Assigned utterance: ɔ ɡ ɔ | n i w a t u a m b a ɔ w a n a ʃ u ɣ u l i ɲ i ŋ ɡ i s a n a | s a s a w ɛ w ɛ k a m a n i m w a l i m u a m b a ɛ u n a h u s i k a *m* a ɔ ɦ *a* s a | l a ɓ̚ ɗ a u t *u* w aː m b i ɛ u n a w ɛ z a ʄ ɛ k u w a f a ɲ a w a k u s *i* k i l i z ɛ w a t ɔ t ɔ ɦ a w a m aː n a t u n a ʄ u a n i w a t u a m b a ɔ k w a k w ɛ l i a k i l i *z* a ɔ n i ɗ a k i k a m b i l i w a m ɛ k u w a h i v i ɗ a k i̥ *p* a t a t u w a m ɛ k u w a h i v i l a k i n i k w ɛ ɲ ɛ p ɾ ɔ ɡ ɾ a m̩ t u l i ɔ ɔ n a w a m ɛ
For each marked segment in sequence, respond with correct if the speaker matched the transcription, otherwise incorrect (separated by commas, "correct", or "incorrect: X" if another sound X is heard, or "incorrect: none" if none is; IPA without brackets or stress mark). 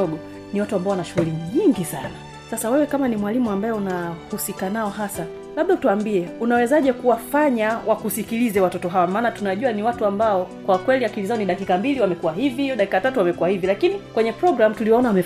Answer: incorrect: n, correct, correct, correct, correct, incorrect: k